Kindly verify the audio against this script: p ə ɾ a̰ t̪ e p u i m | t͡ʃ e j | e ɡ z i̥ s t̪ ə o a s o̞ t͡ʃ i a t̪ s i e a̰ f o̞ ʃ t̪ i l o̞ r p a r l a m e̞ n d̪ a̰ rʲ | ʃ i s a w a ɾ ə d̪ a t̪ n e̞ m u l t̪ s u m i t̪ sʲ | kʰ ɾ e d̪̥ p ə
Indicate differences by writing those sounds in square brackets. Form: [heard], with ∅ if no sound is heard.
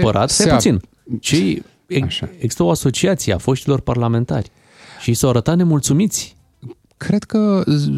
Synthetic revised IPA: p ə ɾ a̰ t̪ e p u i [n] | t͡ʃ e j | e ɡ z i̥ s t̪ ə o a s o̞ t͡ʃ i a t̪ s i e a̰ f o̞ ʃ t̪ i l o̞ r p a r l a m e̞ n [t̪] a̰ rʲ | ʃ i s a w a ɾ ə [t̪] a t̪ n e̞ m u l t̪ s u m i t̪ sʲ | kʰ ɾ e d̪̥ [k] ə